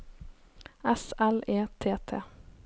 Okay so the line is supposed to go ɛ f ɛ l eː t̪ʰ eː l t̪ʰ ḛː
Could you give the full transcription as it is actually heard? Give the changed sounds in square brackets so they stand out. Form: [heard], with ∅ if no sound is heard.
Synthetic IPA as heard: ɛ [s] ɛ l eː t̪ʰ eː [∅] t̪ʰ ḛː

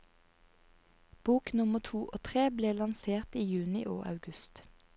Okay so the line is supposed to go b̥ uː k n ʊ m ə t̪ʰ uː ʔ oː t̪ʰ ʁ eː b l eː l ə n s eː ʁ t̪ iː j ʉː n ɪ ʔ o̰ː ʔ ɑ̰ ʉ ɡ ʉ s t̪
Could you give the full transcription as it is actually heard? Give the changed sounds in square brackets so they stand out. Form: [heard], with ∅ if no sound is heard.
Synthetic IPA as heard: b̥ uː k n ʊ m ə t̪ʰ uː ʔ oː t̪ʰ ʁ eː b l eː l [ɑ] n s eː ʁ t̪ iː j ʉː n ɪ ʔ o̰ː ʔ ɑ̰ ʉ ɡ ʉ s t̪

